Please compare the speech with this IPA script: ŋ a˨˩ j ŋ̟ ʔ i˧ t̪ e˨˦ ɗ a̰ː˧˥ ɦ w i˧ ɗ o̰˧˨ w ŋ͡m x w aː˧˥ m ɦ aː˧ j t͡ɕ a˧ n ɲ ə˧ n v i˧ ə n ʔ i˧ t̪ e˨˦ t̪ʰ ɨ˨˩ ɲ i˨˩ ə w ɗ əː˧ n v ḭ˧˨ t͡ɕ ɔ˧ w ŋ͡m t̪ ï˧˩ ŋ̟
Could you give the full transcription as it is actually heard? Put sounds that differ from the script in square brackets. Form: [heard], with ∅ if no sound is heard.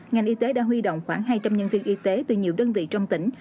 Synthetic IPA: ŋ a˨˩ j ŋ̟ ʔ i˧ t̪ e˨˦ ɗ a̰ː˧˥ ɦ w i˧ ɗ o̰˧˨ w ŋ͡m x w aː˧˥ [ŋ] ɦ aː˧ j t͡ɕ a˧ [m] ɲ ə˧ n v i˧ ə n ʔ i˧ t̪ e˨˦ [t̪] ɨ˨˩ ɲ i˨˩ ə w ɗ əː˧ n v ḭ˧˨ t͡ɕ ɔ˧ w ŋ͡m t̪ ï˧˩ ŋ̟